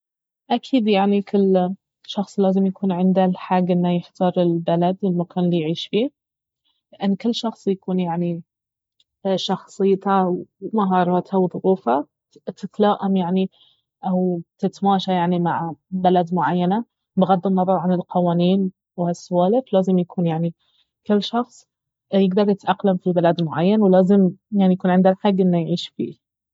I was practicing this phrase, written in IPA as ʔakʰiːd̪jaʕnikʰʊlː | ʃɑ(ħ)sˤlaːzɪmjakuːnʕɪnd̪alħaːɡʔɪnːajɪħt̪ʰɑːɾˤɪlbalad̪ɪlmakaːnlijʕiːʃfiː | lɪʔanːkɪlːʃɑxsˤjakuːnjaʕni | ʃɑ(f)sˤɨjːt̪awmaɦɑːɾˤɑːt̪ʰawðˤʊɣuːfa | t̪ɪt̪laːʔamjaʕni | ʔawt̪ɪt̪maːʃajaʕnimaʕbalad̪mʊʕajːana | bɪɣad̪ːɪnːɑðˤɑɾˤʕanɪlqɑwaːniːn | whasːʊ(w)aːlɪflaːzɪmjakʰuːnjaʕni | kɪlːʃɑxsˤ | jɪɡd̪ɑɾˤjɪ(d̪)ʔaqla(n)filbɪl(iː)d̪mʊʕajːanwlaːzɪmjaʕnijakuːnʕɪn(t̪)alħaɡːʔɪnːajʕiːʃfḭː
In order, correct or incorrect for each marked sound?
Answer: incorrect, incorrect, correct, incorrect, incorrect, incorrect, incorrect

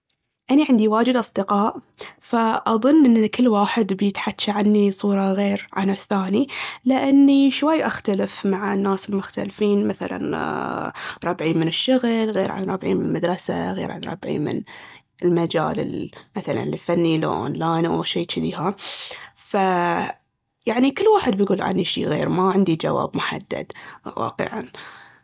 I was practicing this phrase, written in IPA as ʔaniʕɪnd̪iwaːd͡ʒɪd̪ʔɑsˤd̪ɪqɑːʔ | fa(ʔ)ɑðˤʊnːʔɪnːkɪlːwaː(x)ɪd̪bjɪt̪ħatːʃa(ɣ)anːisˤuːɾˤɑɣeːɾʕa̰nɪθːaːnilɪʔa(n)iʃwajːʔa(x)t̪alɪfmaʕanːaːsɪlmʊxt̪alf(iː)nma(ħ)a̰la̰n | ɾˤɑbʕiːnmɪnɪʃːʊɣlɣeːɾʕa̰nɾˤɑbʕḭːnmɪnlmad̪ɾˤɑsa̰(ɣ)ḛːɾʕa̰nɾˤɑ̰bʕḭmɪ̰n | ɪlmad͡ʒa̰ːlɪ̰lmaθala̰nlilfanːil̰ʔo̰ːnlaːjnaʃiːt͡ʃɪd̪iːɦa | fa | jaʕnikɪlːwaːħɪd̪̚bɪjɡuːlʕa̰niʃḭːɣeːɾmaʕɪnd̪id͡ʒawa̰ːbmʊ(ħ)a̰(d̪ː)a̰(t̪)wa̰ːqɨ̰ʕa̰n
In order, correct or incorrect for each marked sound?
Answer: correct, incorrect, incorrect, incorrect, correct, correct, incorrect, correct, correct, correct, incorrect

